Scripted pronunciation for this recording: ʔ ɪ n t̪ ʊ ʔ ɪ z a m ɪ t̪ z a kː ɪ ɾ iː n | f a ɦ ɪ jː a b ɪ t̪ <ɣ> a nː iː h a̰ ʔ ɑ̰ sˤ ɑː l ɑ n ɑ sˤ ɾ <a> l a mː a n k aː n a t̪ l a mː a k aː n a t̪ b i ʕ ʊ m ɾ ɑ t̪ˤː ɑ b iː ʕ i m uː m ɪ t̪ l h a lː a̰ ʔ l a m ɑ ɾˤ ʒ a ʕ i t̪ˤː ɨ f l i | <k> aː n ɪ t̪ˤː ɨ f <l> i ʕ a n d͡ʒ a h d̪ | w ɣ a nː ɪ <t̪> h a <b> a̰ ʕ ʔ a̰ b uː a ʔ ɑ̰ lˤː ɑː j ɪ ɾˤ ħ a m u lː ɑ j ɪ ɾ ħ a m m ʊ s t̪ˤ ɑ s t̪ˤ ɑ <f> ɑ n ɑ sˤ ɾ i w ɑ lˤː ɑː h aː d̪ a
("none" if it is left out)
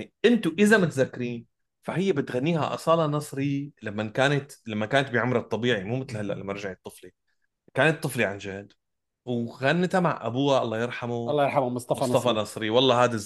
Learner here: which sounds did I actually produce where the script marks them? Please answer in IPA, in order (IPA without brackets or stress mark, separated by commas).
ɣ, i, k, l, t̪, m, f